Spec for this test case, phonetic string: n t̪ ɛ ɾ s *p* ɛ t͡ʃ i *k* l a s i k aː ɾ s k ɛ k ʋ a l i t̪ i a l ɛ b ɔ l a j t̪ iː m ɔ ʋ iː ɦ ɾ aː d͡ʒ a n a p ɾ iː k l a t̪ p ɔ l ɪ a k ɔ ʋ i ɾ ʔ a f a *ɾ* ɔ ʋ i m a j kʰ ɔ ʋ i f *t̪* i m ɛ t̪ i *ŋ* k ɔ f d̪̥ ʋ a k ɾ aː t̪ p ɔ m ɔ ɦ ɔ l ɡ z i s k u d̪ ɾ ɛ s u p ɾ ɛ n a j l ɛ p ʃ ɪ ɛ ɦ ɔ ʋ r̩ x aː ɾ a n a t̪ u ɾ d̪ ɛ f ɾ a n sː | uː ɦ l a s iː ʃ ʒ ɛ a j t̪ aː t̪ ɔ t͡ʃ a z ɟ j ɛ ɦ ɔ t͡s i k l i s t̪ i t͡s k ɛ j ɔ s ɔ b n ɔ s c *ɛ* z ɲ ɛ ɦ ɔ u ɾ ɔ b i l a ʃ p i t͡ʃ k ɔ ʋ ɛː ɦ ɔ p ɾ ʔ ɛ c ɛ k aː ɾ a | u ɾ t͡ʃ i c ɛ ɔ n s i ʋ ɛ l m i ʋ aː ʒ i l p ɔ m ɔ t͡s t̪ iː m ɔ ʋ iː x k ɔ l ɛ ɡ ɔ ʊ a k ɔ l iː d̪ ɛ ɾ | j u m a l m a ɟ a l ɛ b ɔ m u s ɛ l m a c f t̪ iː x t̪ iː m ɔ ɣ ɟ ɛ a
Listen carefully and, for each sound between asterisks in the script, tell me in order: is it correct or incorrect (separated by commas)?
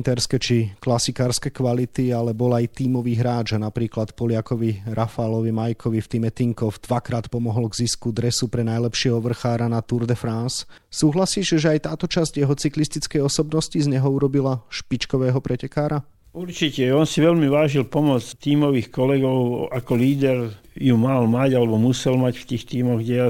incorrect, correct, incorrect, correct, correct, incorrect